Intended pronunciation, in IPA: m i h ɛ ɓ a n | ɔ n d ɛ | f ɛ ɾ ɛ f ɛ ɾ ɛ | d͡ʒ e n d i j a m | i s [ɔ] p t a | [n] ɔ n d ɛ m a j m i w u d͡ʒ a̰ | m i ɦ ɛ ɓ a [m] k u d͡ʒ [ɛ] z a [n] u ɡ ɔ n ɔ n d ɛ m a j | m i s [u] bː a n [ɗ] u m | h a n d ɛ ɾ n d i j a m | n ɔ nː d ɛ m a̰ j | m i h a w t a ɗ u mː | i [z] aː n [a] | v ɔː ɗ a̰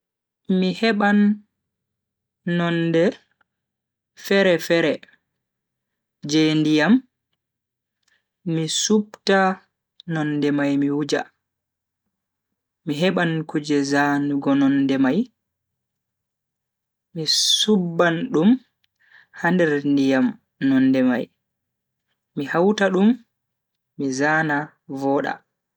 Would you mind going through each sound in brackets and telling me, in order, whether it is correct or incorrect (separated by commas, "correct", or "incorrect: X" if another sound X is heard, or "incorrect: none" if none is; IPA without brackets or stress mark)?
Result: incorrect: u, correct, incorrect: n, correct, correct, correct, correct, correct, correct